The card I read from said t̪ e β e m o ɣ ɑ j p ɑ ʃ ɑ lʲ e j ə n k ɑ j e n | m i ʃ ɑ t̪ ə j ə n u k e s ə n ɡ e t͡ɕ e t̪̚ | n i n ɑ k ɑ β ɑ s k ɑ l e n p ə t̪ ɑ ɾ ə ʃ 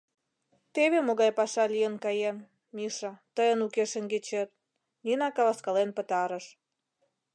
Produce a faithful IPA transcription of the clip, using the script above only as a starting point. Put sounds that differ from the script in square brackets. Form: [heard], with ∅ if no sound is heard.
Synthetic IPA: t̪ e β e m o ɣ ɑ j p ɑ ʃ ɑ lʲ [i] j ə n k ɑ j e n | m i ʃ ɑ t̪ ə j ə n u k e [ʃ] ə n ɡ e t͡ɕ e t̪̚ | n i n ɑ k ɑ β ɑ s k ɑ l e n p ə t̪ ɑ ɾ ə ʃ